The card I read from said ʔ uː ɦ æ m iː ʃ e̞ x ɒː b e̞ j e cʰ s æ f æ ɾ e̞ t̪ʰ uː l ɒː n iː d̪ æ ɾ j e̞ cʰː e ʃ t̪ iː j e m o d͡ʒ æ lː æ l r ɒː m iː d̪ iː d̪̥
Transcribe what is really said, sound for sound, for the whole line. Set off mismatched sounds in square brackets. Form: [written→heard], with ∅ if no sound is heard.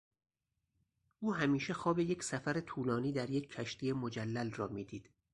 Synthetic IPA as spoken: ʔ uː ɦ æ m iː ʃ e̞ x ɒː b e̞ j e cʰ s æ f æ ɾ e̞ t̪ʰ uː l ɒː n iː d̪ æ ɾ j e̞ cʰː [e→æ] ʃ t̪ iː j e m o d͡ʒ æ lː æ l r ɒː m iː d̪ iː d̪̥